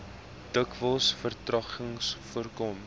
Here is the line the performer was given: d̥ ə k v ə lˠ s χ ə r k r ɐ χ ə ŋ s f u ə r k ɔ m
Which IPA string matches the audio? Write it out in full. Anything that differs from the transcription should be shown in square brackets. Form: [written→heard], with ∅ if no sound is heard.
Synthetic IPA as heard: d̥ ə k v ə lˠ s [χ→f] ə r [k→t] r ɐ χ ə ŋ s f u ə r k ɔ m